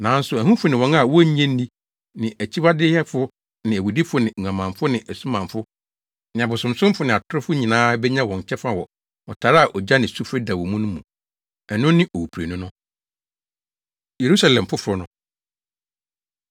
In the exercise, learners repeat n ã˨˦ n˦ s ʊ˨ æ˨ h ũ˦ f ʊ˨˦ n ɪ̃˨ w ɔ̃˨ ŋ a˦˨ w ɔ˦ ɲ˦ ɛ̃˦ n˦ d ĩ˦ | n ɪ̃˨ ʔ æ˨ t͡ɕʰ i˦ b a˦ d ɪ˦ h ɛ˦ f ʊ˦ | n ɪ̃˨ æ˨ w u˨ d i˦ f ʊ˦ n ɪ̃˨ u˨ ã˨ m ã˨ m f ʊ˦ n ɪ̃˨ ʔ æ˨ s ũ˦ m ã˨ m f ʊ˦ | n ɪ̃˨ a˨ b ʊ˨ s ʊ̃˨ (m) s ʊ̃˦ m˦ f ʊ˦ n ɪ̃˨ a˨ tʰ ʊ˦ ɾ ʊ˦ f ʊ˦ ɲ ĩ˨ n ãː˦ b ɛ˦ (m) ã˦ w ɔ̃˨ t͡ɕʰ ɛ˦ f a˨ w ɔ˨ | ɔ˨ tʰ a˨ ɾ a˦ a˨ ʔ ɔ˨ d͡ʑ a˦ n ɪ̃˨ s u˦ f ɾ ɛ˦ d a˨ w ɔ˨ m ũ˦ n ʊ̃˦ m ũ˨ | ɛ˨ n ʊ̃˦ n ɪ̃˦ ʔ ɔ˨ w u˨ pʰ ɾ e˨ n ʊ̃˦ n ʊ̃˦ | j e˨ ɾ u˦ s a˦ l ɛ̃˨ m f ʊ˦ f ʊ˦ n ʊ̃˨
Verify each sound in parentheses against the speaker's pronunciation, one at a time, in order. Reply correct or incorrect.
correct, incorrect: ɲ

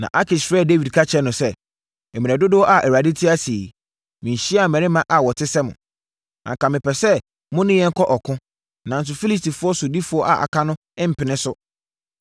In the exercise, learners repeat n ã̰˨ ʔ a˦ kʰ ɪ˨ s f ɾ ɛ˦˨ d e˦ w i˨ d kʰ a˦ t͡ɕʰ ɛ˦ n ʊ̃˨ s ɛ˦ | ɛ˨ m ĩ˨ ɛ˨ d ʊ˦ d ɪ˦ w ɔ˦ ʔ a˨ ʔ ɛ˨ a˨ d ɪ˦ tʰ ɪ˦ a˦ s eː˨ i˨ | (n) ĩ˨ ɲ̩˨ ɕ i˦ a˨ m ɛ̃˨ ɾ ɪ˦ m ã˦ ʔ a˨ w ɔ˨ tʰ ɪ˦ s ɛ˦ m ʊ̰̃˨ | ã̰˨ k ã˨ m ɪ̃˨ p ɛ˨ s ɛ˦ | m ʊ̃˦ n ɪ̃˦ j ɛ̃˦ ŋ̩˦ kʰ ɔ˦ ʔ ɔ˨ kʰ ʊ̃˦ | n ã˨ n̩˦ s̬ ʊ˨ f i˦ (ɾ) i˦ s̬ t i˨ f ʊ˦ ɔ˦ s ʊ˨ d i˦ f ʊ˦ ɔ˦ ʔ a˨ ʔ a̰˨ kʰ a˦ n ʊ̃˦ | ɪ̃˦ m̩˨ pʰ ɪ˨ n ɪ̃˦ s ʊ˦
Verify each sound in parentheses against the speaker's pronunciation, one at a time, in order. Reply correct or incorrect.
incorrect: m, incorrect: l

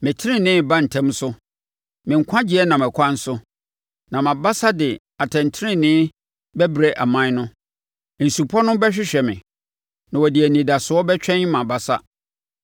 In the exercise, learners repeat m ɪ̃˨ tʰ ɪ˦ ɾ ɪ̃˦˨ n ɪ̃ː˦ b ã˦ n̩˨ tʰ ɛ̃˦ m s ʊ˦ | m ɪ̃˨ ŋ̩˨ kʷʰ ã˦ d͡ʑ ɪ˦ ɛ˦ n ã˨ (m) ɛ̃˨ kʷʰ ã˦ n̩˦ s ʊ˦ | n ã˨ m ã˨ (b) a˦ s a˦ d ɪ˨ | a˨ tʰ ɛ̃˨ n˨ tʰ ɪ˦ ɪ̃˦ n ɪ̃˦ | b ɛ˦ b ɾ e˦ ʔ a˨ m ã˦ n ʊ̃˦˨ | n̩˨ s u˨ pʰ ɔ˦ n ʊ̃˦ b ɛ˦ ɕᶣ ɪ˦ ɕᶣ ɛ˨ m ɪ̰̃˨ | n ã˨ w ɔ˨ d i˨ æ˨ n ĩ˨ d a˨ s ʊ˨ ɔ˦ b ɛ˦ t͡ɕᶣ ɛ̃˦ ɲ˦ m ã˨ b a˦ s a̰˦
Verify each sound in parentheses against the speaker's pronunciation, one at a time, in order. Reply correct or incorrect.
correct, correct

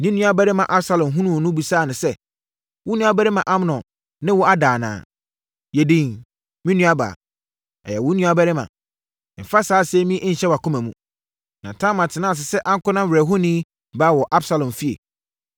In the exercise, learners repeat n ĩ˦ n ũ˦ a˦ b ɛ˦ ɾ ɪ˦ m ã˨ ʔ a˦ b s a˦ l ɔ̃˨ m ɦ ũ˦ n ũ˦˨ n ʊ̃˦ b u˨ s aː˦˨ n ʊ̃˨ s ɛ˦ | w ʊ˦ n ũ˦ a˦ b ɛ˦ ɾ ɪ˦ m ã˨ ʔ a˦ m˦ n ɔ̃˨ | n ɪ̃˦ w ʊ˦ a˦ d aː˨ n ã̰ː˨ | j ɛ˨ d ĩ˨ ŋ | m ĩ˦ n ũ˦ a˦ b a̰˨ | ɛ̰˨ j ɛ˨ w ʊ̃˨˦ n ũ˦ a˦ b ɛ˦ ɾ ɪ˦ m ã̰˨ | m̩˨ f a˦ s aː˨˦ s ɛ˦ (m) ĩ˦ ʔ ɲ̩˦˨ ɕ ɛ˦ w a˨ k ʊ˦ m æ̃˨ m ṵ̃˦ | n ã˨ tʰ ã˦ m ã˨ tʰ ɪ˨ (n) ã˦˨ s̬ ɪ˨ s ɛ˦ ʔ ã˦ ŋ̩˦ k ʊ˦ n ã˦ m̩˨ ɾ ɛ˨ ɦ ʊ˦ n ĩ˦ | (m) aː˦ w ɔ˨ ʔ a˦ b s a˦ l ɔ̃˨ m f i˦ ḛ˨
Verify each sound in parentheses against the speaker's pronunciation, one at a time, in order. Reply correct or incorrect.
correct, correct, incorrect: b

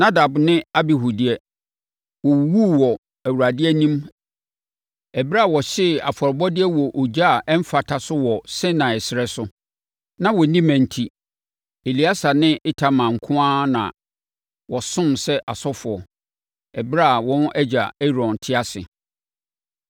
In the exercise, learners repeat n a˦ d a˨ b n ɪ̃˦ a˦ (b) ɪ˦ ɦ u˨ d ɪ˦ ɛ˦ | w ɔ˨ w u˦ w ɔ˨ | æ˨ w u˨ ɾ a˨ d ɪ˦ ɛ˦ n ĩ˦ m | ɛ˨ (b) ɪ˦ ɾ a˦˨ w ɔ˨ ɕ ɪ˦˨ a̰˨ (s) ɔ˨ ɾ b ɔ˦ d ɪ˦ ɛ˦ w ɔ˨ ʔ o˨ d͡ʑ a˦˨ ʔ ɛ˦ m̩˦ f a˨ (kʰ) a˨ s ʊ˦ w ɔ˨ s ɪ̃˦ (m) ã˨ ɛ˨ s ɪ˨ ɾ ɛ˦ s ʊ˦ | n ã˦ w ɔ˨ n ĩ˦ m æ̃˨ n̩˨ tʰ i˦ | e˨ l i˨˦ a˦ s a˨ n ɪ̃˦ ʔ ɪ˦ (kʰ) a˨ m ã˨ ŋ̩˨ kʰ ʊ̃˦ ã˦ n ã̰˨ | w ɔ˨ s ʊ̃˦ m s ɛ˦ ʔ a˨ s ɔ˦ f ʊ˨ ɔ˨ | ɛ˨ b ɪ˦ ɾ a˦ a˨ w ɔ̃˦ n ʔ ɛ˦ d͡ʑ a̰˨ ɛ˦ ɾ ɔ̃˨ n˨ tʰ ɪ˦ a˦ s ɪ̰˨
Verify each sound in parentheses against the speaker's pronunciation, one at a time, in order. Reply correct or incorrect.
correct, correct, incorrect: f, incorrect: tʰ, incorrect: n, incorrect: tʰ

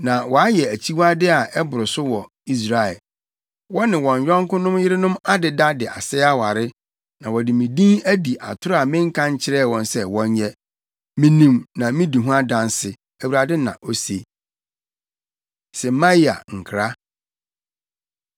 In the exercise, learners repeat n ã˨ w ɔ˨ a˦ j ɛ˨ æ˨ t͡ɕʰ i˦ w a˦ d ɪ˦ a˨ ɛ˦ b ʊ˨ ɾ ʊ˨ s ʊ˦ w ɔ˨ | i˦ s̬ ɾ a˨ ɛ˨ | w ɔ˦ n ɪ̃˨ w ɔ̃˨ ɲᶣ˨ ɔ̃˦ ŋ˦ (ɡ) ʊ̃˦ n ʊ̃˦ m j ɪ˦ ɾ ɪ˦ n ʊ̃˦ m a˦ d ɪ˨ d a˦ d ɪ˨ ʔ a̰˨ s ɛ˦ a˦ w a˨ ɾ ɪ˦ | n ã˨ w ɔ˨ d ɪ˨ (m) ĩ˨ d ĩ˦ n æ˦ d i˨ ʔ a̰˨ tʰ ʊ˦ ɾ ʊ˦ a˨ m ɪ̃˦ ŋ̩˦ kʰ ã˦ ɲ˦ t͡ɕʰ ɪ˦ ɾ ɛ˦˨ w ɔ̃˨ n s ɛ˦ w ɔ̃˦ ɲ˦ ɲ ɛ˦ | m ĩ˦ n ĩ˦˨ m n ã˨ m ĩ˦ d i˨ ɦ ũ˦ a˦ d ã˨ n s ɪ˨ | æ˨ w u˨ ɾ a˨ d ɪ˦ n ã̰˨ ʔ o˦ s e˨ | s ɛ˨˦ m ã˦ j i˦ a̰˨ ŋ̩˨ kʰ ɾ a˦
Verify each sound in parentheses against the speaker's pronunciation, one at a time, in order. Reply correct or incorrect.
incorrect: k, correct

